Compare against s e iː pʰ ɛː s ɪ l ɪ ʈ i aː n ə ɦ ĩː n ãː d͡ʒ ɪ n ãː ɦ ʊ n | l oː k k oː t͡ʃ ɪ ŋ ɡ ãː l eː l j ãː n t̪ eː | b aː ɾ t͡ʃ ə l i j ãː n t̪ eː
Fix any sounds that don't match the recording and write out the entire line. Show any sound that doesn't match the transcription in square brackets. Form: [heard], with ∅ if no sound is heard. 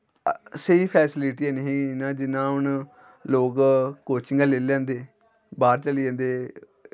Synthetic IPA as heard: s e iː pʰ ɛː s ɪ l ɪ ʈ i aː n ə ɦ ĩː n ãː d͡ʒ ɪ n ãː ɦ ʊ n | l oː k k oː t͡ʃ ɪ ŋ ɡ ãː l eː l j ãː n [d̪] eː | b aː ɾ t͡ʃ ə l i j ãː n [d̪] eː